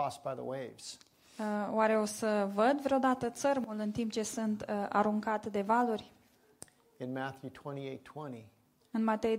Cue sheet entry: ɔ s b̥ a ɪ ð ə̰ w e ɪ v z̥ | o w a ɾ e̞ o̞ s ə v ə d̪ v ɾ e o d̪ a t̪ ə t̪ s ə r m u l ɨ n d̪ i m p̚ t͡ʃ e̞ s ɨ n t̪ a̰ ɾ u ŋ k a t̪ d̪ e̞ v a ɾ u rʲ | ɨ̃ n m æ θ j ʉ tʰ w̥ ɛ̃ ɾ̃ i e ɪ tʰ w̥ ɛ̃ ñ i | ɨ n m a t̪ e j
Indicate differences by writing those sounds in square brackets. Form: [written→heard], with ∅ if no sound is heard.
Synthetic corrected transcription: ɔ s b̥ a ɪ ð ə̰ w e ɪ v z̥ | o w a ɾ e̞ o̞ s ə v ə d̪ v ɾ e o d̪ a t̪ ə t̪ s ə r m u l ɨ n [d̪→t̪] i m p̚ t͡ʃ e̞ s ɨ n t̪ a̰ ɾ u ŋ k a t̪ d̪ e̞ v a [ɾ→l] u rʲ | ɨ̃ n m æ θ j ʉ tʰ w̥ ɛ̃ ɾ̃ i e ɪ tʰ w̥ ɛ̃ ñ i | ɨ n m a t̪ e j